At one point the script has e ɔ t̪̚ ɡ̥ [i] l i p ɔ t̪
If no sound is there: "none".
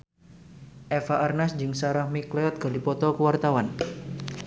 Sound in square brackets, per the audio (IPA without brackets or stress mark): a